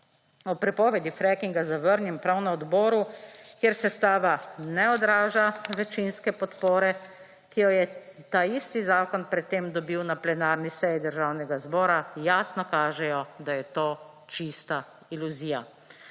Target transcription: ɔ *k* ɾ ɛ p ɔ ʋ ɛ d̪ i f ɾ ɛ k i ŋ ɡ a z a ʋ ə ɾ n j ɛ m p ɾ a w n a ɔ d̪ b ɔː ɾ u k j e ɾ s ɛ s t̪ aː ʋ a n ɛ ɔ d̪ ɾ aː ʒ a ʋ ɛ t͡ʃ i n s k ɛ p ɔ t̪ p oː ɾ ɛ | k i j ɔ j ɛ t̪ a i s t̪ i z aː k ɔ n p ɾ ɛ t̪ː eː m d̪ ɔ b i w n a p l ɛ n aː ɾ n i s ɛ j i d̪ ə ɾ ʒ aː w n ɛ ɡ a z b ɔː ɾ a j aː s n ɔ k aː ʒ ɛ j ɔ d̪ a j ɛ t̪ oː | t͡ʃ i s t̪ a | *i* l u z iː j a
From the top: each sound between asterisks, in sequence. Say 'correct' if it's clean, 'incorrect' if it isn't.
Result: incorrect: p, correct

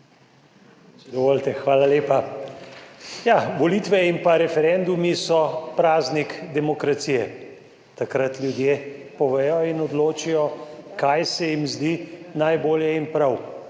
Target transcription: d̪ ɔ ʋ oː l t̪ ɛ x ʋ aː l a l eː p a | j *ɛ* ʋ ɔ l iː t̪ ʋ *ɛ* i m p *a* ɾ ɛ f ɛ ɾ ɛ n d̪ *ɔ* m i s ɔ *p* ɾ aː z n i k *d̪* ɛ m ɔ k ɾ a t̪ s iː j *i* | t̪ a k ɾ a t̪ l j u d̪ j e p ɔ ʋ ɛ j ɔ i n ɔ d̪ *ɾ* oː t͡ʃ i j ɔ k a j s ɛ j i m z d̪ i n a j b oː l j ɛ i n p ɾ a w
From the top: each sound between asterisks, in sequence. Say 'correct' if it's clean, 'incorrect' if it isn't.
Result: incorrect: a, correct, correct, incorrect: u, correct, correct, incorrect: ɛ, incorrect: l

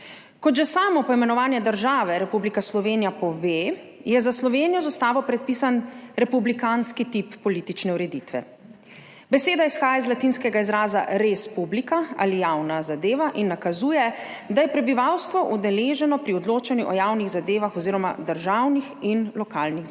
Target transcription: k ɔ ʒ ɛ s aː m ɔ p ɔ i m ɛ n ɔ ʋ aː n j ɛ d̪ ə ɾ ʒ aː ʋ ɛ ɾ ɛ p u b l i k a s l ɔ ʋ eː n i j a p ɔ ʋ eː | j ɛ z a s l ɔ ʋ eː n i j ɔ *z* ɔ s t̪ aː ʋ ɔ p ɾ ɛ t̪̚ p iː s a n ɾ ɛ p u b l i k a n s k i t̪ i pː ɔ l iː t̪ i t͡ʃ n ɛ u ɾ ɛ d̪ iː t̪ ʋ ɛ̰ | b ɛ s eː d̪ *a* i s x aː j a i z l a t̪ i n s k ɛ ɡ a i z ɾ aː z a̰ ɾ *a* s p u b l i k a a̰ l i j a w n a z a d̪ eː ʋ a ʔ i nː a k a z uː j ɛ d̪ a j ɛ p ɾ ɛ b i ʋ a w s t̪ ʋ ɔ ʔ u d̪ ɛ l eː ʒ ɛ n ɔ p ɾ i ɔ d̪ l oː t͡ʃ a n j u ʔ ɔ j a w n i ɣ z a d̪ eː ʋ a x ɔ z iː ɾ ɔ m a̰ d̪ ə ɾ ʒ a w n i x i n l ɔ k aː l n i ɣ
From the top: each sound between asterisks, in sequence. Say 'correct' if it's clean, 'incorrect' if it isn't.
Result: correct, correct, incorrect: e

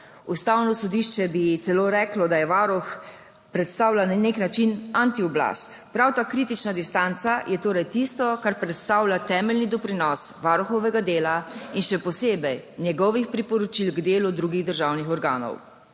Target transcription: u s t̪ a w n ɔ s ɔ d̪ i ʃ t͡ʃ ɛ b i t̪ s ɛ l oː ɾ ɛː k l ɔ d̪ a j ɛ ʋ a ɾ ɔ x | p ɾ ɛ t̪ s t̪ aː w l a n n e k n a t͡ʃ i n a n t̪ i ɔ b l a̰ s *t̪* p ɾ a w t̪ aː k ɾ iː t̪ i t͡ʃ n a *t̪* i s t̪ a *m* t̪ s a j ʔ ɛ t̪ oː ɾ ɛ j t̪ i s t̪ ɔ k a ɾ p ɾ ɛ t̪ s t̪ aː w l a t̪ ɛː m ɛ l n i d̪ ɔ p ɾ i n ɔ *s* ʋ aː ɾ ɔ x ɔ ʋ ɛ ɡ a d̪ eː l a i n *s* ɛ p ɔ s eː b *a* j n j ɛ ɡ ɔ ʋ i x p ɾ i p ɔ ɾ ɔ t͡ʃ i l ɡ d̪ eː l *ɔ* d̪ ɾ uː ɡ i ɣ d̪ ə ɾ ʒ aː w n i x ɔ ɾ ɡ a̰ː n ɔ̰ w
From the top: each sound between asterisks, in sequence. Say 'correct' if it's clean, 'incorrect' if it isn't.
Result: correct, incorrect: d̪, incorrect: n, correct, incorrect: ʃ, incorrect: ɛ, incorrect: u

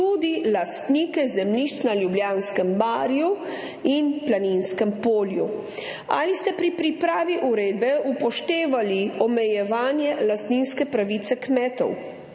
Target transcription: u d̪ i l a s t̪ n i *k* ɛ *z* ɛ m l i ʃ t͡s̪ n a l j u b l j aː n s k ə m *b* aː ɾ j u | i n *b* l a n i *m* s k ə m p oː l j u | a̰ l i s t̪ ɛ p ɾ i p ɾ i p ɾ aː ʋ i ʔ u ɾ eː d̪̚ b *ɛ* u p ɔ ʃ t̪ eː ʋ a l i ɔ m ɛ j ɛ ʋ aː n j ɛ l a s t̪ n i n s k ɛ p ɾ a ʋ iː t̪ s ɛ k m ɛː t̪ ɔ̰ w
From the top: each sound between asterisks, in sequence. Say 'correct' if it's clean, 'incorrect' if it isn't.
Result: correct, correct, correct, incorrect: p, incorrect: n, correct

